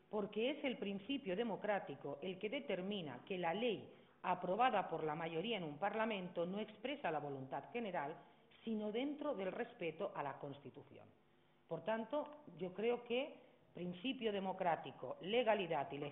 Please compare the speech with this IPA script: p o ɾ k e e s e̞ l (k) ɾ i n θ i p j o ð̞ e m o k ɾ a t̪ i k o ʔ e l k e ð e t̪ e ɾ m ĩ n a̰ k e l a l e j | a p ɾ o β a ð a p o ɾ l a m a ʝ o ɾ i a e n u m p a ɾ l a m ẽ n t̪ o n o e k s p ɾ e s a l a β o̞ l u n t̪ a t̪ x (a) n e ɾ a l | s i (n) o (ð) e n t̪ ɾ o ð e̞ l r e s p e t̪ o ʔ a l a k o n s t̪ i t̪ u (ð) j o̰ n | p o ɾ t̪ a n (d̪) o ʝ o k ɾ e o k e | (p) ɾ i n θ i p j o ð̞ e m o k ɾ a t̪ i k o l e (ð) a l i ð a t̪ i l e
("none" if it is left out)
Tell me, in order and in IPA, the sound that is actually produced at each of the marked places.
p, e, n, ð, θ, t̪, p, ɣ

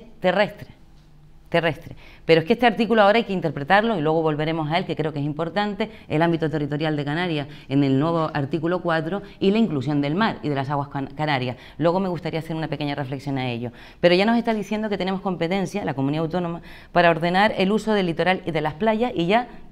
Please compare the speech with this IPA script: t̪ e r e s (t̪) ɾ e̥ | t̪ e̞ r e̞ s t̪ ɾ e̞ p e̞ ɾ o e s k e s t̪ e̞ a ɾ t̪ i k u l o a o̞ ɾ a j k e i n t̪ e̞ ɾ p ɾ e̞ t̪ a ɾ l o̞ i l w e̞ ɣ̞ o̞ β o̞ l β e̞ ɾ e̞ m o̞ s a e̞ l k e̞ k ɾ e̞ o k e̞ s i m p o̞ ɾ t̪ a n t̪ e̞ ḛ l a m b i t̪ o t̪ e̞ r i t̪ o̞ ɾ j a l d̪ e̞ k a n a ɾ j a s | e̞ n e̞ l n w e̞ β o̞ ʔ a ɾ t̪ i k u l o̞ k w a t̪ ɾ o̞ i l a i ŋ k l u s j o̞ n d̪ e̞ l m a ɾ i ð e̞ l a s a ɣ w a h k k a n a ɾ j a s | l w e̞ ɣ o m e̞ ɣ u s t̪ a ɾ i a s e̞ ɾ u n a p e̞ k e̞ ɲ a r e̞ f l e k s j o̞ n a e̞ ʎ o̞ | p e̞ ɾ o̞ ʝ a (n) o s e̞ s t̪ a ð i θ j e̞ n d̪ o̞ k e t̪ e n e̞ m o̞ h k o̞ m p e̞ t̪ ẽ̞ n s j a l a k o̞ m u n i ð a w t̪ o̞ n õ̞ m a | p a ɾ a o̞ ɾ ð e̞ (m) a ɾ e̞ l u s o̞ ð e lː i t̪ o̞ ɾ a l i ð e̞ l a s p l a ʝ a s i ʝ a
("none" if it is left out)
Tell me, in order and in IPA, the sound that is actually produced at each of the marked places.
t̪, n, n

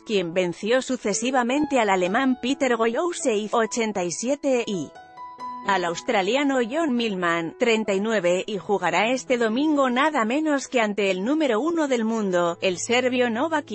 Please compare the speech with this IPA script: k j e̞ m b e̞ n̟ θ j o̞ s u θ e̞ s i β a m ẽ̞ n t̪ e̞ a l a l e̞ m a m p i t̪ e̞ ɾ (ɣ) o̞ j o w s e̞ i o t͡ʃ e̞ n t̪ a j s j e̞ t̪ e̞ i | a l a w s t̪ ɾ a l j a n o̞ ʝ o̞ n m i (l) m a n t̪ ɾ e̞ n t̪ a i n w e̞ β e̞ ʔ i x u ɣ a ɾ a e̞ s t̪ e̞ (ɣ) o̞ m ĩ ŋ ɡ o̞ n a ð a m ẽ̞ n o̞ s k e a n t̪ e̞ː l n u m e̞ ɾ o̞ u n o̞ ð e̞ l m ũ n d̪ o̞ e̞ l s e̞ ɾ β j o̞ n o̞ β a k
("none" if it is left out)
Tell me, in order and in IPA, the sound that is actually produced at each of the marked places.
ɣ, l, ð

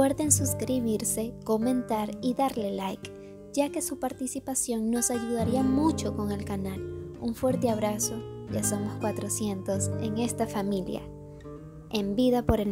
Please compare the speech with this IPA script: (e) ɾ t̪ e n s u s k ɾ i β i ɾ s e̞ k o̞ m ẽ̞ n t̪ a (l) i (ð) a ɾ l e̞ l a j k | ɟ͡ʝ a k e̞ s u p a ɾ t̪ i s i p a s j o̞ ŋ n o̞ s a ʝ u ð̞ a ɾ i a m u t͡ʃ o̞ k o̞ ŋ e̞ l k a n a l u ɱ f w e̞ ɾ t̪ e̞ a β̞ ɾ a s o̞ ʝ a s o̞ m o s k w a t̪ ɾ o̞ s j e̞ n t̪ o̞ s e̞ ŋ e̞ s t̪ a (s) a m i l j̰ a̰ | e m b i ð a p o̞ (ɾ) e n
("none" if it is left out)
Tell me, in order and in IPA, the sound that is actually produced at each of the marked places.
e, ɾ, ð, f, ɾ

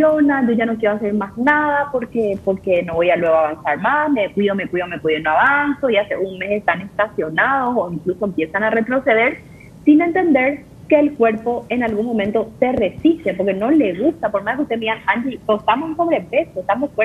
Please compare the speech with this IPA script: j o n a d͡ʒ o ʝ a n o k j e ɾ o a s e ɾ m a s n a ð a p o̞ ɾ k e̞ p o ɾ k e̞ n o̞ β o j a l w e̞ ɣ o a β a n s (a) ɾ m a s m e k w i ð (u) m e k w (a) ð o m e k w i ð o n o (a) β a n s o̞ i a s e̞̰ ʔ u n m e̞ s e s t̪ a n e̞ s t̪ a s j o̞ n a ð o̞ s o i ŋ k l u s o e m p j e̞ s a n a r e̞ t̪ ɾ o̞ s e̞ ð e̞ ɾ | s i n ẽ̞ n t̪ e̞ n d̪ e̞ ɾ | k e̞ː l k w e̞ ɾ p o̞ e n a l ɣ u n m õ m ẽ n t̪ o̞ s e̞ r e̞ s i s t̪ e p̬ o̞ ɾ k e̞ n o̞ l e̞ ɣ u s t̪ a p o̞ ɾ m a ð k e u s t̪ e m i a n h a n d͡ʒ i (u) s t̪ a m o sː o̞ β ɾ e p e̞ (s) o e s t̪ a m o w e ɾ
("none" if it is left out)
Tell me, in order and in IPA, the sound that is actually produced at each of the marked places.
a, o, i, a, o, s

